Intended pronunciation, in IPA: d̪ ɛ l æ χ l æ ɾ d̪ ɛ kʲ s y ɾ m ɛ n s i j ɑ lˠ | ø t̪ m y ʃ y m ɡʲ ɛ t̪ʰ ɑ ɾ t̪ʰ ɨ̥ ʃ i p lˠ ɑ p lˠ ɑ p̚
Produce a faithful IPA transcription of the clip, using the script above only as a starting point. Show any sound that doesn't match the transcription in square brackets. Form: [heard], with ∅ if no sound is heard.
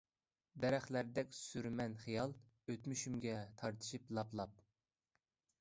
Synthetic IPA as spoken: d̪ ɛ [ɾ] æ χ l æ ɾ d̪ ɛ kʲ s y ɾ m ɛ n [χ] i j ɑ lˠ | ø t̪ m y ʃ y m ɡʲ ɛ t̪ʰ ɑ ɾ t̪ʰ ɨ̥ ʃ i p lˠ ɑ p lˠ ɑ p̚